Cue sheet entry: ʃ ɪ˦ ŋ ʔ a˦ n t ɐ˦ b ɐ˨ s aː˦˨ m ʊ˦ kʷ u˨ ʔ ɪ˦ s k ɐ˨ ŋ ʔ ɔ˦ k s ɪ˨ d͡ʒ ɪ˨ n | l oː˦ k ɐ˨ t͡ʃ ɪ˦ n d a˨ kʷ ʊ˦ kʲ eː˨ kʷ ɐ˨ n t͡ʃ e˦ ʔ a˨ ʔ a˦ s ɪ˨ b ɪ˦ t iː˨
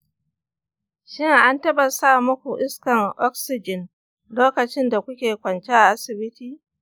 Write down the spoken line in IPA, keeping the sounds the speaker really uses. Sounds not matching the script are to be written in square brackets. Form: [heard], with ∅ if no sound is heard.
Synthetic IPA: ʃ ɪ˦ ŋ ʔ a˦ n t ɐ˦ b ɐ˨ s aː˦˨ m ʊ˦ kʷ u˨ ʔ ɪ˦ s k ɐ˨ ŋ ʔ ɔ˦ k s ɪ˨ d͡ʒ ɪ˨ n | l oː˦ k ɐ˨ t͡ʃ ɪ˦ n d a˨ kʷ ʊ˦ kʲ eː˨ kʷ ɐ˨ n t͡ʃ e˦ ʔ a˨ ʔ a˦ s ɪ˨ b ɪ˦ t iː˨

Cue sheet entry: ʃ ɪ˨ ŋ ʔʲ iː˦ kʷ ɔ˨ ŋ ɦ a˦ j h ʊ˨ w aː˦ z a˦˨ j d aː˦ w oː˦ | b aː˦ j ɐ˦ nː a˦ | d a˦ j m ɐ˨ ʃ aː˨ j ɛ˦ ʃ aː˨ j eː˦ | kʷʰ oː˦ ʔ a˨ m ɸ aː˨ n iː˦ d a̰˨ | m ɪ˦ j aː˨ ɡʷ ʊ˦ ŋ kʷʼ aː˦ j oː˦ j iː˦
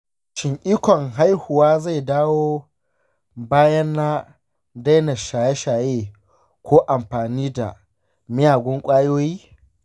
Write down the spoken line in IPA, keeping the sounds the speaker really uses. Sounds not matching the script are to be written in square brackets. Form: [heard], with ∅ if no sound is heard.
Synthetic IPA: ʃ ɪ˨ ŋ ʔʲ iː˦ kʷ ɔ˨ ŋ ɦ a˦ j h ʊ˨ w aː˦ z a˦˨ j d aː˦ w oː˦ | b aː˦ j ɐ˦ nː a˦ | d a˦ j [n] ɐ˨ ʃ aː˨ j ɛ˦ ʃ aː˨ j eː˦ | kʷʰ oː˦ ʔ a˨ m ɸ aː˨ n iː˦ d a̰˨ | m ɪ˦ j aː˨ ɡʷ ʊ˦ ŋ kʷʼ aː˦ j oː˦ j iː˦

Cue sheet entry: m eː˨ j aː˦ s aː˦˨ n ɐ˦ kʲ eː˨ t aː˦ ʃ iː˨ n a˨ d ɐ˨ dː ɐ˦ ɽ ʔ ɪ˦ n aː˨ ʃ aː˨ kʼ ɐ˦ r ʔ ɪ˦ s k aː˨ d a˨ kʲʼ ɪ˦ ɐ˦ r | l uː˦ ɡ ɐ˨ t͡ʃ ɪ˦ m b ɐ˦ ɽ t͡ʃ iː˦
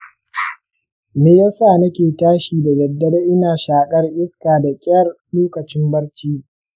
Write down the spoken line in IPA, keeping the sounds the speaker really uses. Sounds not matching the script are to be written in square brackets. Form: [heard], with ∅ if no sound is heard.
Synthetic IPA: m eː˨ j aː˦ s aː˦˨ n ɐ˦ kʲ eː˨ t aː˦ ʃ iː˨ [d] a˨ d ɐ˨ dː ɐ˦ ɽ ʔ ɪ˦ n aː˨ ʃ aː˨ kʼ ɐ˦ r ʔ ɪ˦ s k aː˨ d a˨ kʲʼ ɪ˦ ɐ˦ r | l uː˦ [k] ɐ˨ t͡ʃ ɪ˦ m b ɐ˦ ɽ t͡ʃ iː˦

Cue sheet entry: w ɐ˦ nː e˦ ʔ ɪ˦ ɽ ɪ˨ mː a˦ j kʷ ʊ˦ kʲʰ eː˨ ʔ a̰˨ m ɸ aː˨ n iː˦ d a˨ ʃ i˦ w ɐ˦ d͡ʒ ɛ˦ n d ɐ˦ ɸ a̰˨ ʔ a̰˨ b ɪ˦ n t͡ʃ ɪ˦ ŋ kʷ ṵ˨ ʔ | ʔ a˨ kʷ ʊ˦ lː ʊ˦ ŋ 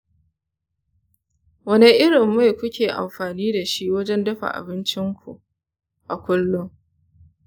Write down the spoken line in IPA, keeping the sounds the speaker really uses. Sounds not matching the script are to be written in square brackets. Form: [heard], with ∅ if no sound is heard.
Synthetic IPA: w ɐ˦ [n] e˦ ʔ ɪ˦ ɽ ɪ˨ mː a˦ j kʷ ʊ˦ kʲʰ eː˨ ʔ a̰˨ m ɸ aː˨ n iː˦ d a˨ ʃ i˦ w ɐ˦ d͡ʒ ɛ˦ n d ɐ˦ ɸ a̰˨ ʔ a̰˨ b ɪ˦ n t͡ʃ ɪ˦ ŋ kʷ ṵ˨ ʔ | ʔ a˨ kʷ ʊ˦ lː ʊ˦ ŋ

